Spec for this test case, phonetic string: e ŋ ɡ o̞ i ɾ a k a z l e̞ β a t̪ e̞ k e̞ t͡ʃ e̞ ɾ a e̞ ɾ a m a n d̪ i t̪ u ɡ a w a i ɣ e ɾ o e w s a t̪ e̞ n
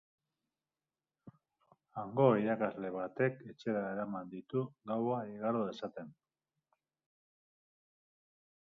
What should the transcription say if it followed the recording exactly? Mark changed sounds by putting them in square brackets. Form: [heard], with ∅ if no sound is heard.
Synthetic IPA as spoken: [a] ŋ ɡ o̞ i ɾ a k a z l e̞ β a t̪ e̞ k e̞ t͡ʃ e̞ ɾ a e̞ ɾ a m a n d̪ i t̪ u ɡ a w a i ɣ [a] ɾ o e [∅] s a t̪ e̞ n